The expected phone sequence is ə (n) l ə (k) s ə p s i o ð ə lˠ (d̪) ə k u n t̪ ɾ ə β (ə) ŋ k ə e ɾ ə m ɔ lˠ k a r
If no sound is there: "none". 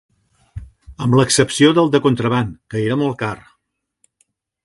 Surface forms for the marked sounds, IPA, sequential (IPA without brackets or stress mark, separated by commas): m, k, d̪, a